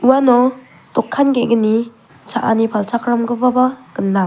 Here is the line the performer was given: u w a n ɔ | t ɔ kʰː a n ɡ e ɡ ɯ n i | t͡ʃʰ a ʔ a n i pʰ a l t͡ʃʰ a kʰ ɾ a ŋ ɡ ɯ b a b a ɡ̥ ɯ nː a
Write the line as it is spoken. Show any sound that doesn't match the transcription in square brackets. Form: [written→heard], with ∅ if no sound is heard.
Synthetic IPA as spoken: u w a n ɔ | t ɔ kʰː a n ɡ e ɡ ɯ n i | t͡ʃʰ a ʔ a n i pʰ a l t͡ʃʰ a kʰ ɾ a [ŋ→m] ɡ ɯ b a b a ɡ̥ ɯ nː a